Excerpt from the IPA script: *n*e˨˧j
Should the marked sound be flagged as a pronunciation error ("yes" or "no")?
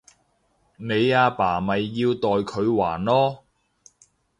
no